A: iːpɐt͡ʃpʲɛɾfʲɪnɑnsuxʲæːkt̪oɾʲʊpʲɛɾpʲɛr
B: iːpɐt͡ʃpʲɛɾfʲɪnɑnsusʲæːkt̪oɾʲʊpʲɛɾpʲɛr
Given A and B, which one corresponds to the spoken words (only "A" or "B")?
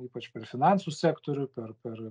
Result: B